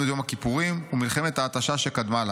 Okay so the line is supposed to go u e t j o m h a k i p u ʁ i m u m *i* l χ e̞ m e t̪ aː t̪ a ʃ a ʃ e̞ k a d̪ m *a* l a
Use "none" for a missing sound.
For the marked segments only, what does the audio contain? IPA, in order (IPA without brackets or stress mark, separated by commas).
i, a